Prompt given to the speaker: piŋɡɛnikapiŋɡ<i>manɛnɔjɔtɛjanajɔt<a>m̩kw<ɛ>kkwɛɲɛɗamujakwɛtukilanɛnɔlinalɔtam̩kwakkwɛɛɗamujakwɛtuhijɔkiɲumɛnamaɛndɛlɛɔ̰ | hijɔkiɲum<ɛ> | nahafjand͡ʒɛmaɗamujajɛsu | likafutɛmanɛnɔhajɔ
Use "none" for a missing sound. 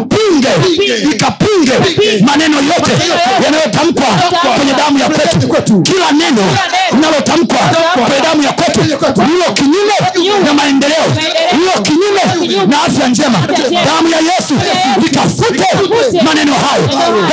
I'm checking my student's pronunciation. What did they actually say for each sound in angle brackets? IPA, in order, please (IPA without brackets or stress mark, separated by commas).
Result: ɛ, a, a, ɛ